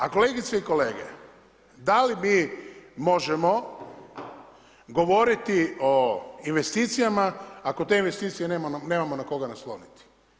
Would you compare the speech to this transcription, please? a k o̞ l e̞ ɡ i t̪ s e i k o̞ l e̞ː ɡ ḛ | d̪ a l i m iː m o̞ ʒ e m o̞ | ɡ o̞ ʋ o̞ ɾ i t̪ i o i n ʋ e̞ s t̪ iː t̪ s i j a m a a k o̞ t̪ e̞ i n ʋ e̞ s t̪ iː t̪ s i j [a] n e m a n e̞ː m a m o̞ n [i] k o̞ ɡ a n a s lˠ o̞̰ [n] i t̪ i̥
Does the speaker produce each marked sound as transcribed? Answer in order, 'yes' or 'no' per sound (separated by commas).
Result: no, no, yes